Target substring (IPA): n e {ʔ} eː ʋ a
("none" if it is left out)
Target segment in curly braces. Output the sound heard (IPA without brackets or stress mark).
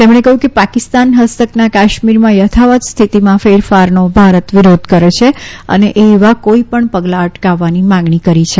ʔ